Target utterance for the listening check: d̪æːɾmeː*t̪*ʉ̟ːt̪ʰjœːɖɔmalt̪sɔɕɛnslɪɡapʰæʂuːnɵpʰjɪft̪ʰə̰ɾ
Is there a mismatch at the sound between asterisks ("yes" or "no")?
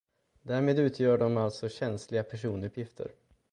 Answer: yes